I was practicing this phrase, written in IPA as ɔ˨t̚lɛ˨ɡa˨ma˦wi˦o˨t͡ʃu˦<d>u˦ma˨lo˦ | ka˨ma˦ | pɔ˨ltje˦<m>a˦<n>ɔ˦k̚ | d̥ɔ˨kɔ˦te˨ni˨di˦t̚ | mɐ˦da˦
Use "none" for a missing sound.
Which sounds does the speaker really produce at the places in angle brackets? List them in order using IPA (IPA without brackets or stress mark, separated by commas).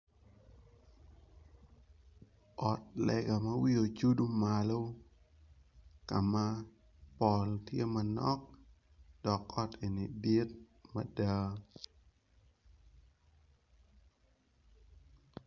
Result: d, m, n